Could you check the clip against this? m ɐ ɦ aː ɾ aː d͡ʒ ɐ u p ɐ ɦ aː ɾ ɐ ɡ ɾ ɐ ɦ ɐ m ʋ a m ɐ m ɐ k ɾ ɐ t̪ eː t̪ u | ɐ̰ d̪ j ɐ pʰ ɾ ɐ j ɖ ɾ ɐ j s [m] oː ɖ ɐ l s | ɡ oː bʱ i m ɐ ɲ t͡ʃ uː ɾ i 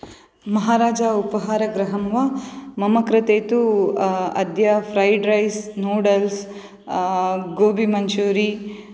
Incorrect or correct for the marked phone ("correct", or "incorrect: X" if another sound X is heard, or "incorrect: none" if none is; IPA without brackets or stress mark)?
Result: incorrect: n